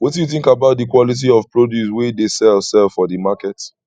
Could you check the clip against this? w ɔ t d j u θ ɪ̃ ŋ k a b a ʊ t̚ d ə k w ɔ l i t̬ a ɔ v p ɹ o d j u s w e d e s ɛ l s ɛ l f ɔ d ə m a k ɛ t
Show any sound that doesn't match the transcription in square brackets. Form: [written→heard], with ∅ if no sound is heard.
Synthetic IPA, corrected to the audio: w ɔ t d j u θ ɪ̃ ŋ k a b a ʊ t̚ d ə k w ɔ l i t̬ [a→i] ɔ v p ɹ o d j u s w e d e s ɛ l s ɛ l f ɔ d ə m a k ɛ t